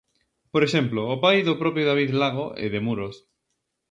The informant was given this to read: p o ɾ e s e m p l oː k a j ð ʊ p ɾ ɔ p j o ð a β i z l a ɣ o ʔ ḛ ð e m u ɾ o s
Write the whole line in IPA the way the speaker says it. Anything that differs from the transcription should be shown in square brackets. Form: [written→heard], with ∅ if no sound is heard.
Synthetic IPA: p o ɾ e [s→ʃ] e m p l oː [k→p] a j ð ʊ p ɾ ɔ p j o ð a β i [z→ð] l a ɣ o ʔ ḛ ð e m u ɾ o s